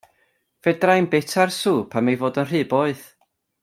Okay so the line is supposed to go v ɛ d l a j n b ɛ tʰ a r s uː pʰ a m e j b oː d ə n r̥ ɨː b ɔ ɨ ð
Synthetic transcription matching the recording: v ɛ d r a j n b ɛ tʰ a r s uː pʰ a m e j v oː d ə n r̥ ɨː b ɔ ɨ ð